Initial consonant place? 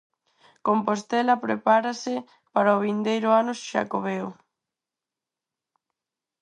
velar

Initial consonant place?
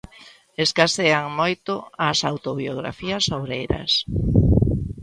alveolar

